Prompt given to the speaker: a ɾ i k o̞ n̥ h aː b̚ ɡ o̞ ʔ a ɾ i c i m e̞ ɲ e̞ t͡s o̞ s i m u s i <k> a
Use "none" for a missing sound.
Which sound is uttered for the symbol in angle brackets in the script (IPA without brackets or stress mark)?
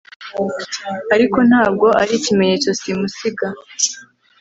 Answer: ɡ